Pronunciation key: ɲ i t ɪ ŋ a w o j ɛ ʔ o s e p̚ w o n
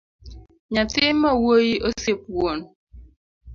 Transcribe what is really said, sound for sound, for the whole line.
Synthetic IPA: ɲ a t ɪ m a w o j i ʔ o s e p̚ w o n